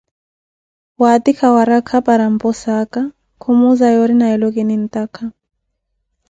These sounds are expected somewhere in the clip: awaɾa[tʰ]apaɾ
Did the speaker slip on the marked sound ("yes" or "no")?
yes